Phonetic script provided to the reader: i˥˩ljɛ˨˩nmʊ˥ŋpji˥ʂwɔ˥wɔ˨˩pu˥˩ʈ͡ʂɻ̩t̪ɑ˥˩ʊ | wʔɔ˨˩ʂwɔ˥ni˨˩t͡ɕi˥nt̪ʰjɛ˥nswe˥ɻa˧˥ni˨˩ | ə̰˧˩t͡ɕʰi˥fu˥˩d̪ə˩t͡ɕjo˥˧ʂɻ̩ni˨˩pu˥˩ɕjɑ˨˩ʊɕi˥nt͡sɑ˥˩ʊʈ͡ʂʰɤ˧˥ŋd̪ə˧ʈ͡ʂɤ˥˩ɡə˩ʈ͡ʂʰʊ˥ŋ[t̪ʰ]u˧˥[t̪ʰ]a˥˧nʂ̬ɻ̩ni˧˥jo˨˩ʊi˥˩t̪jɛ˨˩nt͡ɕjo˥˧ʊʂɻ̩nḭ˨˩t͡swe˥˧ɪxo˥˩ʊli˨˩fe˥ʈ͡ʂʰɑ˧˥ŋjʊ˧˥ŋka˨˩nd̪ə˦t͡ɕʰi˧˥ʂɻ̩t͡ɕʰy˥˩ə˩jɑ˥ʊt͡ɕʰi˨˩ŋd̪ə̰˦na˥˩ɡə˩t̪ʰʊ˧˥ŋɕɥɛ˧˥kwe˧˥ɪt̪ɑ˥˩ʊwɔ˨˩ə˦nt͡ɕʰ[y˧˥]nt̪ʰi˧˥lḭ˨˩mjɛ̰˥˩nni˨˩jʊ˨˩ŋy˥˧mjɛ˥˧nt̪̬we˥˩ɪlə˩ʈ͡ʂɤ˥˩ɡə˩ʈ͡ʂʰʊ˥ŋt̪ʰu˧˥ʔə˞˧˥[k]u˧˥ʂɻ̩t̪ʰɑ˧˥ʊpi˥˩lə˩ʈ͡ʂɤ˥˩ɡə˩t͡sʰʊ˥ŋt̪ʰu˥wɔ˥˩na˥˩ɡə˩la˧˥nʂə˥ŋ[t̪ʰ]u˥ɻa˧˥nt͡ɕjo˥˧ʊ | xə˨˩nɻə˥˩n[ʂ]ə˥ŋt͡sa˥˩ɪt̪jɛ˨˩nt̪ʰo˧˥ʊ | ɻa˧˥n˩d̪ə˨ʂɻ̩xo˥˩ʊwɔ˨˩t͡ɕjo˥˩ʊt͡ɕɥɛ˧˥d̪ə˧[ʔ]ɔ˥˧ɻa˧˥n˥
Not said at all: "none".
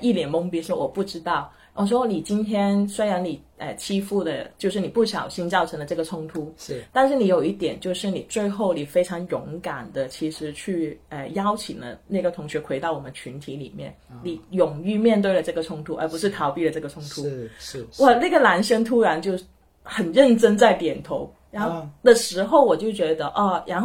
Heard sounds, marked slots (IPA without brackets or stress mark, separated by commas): t̪ʰ, t̪, y˧˥, p, t̪ʰ, ʈ͡ʂ, ʔ